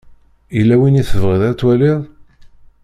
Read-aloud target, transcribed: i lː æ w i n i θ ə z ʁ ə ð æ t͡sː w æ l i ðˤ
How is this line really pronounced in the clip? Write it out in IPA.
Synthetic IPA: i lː æ w i n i θ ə v ʁ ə ð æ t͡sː w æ l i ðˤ